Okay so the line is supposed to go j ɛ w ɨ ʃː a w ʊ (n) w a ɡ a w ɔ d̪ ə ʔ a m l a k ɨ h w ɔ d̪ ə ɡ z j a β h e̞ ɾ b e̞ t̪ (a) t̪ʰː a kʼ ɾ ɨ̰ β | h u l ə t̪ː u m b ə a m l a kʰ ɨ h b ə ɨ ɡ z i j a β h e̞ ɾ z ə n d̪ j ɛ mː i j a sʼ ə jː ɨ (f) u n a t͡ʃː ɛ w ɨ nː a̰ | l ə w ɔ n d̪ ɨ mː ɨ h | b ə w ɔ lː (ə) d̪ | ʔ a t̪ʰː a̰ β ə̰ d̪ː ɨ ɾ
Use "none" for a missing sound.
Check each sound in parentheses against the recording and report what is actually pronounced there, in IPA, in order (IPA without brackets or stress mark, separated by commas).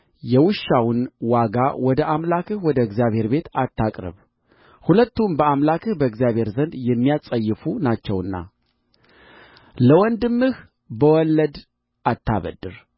n, a, f, ə